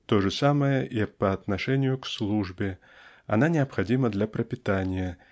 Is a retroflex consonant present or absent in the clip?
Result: present